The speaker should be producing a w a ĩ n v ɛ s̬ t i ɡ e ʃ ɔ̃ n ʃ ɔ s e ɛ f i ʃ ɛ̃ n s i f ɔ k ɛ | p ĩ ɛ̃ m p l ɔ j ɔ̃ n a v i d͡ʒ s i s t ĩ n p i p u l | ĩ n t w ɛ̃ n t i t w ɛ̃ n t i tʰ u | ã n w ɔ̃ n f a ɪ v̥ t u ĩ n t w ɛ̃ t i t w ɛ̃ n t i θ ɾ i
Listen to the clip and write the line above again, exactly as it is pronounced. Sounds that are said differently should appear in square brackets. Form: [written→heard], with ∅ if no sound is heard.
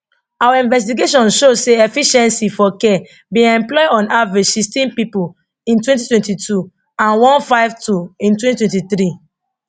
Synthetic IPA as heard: a w a ĩ n v ɛ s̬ t i ɡ e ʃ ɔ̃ n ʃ [ɔ→o] s e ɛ f i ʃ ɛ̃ n s i f ɔ k ɛ | [p→b] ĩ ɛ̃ m p l ɔ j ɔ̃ n a v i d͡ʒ s i s t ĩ n p i p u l | ĩ n t w ɛ̃ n t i t w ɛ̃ n t i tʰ u | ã n w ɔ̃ n f a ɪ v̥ t u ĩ n t w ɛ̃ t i t w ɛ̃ n t i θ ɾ i